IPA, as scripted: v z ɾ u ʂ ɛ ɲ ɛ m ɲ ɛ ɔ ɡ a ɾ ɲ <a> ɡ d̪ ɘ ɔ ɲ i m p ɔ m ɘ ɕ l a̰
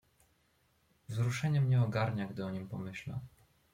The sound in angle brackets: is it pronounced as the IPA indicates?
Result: yes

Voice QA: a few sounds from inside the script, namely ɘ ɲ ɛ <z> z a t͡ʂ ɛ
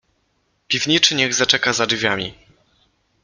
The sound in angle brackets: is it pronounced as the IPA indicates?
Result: no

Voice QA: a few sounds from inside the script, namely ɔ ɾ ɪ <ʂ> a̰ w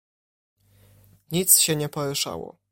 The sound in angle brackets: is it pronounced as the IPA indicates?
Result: yes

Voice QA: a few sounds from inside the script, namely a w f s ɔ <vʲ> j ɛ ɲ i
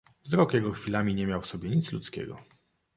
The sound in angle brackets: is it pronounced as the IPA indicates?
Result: no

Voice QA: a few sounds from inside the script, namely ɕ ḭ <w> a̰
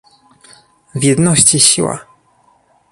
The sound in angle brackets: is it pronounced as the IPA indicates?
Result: yes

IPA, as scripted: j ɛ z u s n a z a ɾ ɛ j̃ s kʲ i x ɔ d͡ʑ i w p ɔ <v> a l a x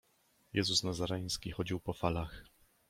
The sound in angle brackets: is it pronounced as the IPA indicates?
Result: no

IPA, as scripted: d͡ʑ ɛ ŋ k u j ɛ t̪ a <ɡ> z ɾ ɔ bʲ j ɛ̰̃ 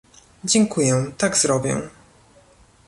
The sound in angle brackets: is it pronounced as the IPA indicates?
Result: yes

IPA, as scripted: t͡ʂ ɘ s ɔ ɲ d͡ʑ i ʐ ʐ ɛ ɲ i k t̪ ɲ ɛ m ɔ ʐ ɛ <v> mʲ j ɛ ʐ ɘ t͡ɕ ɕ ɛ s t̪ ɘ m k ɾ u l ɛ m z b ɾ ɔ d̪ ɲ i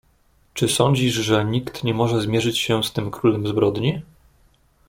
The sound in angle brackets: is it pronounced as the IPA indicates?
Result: no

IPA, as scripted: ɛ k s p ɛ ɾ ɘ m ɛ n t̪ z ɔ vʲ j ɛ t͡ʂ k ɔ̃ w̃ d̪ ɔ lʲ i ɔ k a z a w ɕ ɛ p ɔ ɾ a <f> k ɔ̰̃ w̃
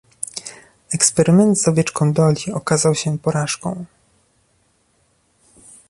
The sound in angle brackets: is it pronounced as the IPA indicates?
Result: no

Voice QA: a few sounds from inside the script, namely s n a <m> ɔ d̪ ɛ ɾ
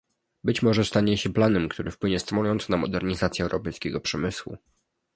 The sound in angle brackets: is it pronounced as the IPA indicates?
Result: yes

